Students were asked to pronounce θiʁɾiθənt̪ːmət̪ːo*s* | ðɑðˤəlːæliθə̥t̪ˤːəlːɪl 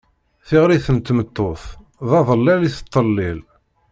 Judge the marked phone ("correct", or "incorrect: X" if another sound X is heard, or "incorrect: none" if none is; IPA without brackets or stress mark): incorrect: θ